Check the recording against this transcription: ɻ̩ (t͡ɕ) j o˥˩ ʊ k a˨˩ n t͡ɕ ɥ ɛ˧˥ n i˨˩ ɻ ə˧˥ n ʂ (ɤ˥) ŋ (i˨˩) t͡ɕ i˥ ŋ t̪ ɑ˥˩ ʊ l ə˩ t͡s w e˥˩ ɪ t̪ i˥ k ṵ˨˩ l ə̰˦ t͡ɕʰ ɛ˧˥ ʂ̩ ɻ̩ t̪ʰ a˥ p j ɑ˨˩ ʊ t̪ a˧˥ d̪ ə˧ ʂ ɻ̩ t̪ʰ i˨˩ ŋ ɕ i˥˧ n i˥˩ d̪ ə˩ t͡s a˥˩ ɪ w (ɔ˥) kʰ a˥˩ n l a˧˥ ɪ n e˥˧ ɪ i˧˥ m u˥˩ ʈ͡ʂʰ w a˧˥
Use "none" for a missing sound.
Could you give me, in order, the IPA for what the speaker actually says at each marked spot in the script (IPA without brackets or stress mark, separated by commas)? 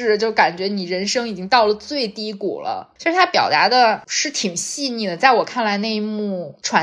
t͡ɕ, ɤ˥, i˨˩, ɔ˨˩